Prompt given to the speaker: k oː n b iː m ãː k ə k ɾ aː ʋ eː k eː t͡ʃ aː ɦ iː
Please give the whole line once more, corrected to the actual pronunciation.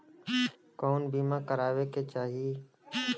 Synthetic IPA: k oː n b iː m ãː k ə ɾ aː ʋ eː k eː t͡ʃ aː ɦ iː